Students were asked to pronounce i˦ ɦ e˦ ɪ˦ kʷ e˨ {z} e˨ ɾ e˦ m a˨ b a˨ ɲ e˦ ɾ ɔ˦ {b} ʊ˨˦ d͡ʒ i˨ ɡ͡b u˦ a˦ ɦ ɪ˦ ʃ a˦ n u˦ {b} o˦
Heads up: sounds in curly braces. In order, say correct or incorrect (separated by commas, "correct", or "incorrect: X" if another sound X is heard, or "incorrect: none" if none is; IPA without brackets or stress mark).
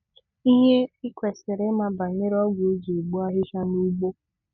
incorrect: s, incorrect: ɡ, incorrect: ɡ͡b